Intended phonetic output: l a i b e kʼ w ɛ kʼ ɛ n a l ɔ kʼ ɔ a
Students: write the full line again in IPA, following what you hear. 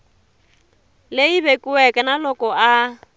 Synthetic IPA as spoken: l e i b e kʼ u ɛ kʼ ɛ n a l ɔ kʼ ɔ a